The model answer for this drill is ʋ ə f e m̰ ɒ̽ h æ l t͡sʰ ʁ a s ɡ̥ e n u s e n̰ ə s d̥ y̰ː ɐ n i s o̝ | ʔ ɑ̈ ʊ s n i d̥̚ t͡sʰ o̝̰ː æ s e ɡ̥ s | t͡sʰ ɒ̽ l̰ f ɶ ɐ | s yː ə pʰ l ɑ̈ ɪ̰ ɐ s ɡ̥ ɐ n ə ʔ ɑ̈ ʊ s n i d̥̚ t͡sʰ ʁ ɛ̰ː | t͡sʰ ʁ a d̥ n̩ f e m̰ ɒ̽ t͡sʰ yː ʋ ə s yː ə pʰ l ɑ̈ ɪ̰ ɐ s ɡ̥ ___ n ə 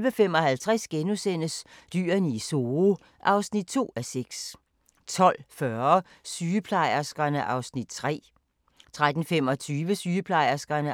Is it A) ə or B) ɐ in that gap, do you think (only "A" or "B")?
B